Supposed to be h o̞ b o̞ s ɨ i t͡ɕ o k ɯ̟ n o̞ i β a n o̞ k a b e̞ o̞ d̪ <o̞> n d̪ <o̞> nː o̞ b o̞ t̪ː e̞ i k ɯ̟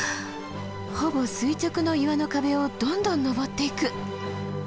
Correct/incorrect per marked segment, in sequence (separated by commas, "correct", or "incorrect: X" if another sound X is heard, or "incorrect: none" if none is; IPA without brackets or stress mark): incorrect: õ̞, incorrect: õ̞